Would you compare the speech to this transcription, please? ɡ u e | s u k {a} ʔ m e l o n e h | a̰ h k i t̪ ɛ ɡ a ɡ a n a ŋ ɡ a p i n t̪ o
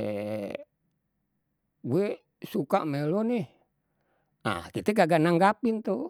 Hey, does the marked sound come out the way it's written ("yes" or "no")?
yes